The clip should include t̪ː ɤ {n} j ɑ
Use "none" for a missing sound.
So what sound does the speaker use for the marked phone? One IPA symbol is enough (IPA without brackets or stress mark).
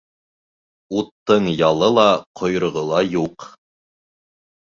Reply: ɴ